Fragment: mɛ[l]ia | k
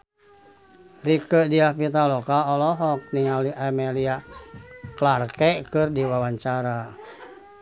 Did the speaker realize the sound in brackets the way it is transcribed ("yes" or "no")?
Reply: yes